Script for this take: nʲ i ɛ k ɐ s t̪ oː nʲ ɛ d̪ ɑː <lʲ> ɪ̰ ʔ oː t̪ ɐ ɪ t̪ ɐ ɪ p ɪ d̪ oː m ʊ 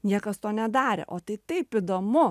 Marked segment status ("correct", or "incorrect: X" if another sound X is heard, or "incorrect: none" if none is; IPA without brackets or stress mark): incorrect: ɾʲ